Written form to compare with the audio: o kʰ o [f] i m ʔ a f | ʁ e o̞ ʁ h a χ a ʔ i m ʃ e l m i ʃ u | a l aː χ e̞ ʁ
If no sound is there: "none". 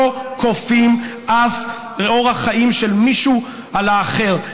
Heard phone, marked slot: f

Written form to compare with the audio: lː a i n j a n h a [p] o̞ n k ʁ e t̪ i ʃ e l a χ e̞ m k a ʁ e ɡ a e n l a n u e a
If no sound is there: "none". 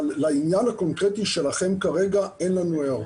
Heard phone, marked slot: k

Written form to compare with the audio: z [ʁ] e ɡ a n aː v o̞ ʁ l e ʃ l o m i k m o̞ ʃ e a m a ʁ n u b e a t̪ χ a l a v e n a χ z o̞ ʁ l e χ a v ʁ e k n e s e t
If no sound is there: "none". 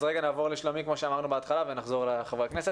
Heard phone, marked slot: ʁ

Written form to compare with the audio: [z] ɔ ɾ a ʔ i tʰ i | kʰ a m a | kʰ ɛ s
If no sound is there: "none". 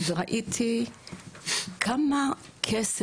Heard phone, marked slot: z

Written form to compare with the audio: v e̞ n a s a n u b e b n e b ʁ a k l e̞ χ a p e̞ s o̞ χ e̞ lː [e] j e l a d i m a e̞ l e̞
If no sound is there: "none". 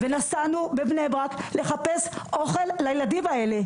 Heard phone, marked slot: a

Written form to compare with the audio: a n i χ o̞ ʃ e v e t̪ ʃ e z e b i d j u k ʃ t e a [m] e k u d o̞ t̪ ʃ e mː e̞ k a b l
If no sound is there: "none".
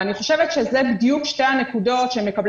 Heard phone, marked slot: n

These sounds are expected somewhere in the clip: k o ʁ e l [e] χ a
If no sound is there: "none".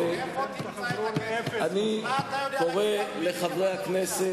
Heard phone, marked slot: e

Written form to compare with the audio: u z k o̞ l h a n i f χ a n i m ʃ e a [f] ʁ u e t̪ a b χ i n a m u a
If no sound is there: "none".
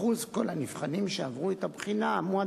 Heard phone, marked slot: v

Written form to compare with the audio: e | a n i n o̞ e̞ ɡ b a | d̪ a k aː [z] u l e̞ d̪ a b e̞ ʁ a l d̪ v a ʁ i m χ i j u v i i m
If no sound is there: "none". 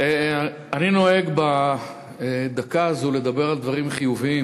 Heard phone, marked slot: z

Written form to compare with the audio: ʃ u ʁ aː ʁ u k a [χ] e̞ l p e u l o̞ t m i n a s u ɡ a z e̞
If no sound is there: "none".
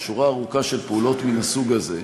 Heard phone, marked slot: ʃ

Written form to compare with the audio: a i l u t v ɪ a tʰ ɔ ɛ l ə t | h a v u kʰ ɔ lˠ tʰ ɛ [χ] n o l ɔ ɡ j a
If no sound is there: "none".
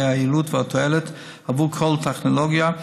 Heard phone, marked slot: χ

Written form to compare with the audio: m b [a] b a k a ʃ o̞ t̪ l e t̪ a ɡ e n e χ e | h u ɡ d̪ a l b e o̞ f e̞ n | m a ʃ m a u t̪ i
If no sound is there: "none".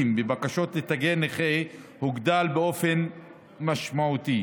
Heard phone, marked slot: e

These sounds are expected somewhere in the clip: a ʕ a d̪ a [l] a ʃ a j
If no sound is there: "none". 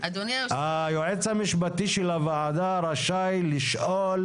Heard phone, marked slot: ɾ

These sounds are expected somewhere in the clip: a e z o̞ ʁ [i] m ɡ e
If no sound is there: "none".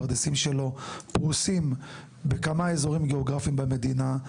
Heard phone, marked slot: i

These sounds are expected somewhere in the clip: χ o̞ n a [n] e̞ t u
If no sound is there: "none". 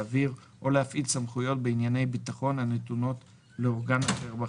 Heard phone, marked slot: n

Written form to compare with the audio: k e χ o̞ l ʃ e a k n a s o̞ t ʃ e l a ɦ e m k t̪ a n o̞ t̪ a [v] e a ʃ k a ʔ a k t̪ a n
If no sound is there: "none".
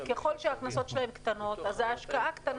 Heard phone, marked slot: z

